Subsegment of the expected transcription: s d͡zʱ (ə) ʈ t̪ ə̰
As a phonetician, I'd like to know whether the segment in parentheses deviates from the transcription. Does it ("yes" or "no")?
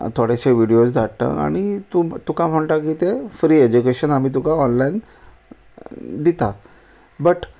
yes